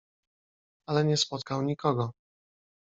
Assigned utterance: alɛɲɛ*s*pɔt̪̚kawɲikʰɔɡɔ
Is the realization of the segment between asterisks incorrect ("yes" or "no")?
no